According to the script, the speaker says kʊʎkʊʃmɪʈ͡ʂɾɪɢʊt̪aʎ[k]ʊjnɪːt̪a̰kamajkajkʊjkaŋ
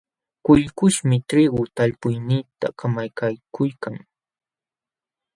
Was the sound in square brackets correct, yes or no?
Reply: no